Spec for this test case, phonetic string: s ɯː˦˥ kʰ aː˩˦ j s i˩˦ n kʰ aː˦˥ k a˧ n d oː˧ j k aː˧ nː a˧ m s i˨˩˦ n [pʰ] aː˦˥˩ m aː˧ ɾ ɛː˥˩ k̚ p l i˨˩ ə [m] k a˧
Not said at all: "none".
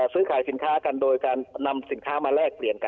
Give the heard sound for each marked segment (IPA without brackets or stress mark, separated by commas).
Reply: kʰ, n